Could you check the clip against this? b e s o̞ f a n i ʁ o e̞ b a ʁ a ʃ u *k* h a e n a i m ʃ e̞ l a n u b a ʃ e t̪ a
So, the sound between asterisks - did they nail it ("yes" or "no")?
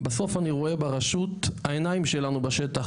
no